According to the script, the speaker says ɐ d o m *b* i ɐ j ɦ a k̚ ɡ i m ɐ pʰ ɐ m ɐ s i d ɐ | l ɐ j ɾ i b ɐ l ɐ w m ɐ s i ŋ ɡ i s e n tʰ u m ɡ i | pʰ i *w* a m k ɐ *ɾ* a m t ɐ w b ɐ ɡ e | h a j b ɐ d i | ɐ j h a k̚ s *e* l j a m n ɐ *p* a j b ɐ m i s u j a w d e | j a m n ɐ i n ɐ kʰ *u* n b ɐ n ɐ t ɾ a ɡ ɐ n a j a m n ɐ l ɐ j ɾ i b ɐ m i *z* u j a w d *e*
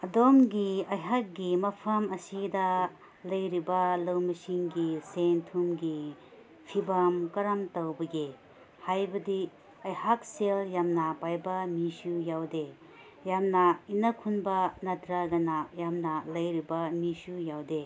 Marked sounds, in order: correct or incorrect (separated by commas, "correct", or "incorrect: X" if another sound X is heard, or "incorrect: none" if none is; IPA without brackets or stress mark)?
incorrect: ɡ, incorrect: b, correct, correct, correct, correct, incorrect: s, correct